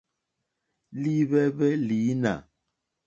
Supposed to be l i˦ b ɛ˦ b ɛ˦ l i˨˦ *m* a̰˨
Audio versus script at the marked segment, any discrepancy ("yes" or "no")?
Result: yes